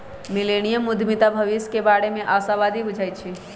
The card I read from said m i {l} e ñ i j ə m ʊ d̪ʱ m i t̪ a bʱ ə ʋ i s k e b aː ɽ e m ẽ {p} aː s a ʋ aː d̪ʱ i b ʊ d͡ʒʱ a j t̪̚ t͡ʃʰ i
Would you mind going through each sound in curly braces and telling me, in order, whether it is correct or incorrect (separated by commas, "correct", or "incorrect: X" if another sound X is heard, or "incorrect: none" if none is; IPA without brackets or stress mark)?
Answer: correct, incorrect: ʔ